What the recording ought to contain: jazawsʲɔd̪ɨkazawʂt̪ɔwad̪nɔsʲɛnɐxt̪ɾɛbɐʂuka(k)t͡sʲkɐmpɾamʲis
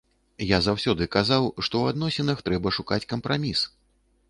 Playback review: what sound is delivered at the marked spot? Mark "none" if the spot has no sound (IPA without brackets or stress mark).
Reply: none